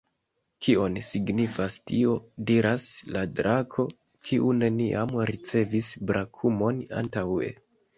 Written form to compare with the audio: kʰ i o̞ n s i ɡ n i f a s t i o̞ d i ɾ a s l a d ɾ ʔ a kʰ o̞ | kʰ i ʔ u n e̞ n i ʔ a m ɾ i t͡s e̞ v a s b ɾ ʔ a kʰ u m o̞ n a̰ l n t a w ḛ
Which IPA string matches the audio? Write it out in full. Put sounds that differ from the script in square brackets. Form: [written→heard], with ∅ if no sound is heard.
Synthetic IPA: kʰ i o̞ n s i ɡ n i f a s t i o̞ d i ɾ a s l a d ɾ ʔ a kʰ o̞ | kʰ i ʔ u n e̞ n i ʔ a m ɾ i t͡s e̞ v [a→i] s b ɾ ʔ a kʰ u m o̞ n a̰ [l→∅] n t a w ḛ